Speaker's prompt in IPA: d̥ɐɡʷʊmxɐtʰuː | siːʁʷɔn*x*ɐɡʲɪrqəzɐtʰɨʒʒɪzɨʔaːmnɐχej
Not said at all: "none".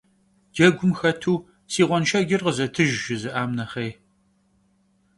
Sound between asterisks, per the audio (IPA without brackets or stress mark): ʃ